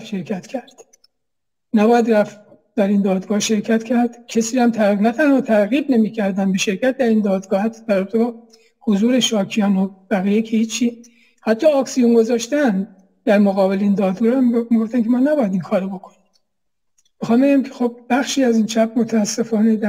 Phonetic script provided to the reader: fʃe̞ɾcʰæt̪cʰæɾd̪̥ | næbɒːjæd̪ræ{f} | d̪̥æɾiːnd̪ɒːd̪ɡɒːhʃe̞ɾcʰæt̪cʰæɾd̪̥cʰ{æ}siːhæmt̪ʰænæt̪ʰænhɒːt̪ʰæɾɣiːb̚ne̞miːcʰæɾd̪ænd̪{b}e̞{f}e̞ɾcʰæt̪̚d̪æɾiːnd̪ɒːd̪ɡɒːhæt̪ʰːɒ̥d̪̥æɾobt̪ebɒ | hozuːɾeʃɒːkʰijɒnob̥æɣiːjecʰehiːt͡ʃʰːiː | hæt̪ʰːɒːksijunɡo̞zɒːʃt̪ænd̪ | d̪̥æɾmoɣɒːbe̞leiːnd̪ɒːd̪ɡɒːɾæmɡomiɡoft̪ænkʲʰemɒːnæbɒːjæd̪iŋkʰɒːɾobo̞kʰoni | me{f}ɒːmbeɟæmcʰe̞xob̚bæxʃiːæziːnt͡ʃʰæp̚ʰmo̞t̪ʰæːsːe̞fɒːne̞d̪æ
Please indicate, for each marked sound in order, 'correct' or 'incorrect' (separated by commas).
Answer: correct, incorrect, correct, incorrect, incorrect